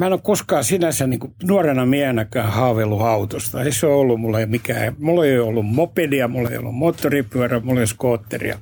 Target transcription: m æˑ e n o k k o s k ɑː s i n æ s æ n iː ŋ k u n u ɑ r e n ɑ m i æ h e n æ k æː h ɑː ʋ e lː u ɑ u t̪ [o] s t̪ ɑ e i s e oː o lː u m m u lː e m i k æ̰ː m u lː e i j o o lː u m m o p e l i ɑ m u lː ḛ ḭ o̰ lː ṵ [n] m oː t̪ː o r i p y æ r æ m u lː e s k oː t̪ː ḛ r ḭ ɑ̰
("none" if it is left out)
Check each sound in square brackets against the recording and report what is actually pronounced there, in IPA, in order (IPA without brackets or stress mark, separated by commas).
o, m